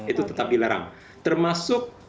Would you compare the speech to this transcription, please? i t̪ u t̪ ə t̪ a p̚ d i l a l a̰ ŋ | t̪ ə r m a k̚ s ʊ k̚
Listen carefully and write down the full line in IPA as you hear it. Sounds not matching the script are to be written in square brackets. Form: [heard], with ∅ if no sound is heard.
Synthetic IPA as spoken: i t̪ u t̪ ə t̪ a p̚ d i l a [ɾ] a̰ ŋ | t̪ ə r m a [∅] s ʊ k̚